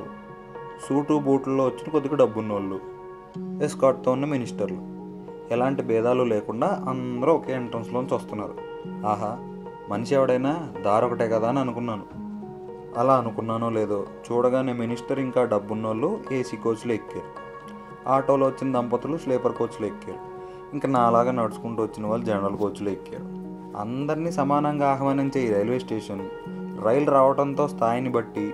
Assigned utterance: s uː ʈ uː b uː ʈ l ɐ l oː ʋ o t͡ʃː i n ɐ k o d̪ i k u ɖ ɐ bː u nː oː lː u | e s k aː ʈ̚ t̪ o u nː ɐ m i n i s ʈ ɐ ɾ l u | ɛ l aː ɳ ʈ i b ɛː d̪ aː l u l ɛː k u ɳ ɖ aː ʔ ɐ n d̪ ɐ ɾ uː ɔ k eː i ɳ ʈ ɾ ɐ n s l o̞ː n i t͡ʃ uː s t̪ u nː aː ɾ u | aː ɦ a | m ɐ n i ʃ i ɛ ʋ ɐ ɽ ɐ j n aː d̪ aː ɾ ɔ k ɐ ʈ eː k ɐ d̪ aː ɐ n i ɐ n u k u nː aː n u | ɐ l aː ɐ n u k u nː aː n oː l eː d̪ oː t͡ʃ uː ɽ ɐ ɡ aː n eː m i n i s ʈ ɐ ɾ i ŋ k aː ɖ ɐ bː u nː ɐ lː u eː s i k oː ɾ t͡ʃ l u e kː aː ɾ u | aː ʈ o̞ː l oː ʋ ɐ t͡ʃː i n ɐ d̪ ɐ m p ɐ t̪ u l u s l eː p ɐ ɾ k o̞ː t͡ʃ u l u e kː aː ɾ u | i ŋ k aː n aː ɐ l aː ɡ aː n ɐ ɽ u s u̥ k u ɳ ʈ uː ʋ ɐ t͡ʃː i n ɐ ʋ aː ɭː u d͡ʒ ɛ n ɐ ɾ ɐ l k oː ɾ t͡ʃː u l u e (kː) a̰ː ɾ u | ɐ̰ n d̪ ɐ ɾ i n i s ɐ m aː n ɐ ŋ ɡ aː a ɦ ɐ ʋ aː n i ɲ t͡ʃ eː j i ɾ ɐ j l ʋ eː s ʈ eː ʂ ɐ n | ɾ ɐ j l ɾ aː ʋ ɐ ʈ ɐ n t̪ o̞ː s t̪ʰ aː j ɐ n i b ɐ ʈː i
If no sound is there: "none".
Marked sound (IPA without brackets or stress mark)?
kː